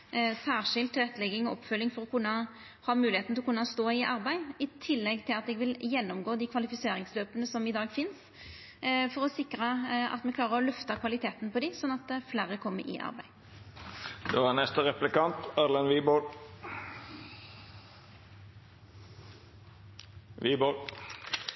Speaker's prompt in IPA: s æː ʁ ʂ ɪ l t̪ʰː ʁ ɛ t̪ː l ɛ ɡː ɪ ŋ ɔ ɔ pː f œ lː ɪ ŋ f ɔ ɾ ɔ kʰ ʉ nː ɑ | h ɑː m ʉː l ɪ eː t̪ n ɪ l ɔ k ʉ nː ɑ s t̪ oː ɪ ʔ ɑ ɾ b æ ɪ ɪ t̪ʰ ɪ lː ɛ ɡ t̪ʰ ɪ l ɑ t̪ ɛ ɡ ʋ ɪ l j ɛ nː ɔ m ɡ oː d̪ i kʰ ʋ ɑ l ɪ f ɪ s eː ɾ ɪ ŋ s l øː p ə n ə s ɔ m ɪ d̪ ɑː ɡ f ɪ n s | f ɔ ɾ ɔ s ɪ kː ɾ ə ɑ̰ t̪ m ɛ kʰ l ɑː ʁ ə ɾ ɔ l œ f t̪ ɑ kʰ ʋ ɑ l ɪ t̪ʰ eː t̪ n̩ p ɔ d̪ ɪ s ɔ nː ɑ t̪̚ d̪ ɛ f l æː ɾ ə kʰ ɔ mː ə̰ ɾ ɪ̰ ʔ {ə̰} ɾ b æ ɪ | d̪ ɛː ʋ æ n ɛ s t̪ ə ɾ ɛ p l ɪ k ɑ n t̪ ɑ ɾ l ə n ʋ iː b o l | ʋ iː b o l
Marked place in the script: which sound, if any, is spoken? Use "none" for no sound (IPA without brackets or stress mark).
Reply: ɑ̰